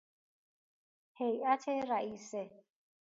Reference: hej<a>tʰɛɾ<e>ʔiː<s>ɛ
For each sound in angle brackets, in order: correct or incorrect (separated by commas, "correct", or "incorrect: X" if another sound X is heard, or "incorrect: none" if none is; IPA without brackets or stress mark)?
correct, incorrect: a, correct